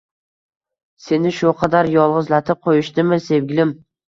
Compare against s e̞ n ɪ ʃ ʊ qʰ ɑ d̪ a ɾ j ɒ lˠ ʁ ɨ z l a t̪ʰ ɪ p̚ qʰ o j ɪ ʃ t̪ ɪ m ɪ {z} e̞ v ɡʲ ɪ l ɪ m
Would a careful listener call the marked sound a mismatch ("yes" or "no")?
yes